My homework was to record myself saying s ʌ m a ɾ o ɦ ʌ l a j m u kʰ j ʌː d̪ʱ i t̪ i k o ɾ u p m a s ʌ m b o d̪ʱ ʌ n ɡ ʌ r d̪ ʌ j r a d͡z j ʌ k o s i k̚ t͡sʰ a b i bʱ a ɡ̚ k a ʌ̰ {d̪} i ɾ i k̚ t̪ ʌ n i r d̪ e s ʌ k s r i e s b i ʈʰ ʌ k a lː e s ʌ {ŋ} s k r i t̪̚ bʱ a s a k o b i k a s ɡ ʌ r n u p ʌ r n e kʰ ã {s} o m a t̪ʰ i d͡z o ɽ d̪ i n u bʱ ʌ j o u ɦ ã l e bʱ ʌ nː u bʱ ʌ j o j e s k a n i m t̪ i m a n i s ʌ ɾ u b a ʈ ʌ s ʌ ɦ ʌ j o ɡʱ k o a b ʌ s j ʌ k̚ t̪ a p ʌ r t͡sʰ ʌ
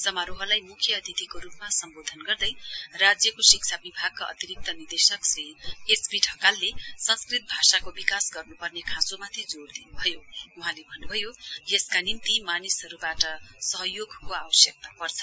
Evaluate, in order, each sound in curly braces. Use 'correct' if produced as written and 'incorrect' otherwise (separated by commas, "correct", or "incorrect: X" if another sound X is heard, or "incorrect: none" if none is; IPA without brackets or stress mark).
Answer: incorrect: t̪, incorrect: n, correct